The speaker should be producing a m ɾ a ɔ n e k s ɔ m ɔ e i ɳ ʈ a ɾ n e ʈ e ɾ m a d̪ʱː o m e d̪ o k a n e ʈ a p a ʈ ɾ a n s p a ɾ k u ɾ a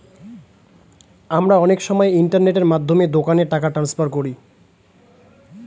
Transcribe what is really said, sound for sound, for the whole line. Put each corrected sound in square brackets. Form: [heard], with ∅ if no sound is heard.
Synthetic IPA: a m ɾ a ɔ n e k [ʃ] ɔ m ɔ e i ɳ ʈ a ɾ n e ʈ e ɾ m a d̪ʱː o m e d̪ o k a n e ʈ a [k] a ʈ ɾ a n s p a ɾ k [o] ɾ [i]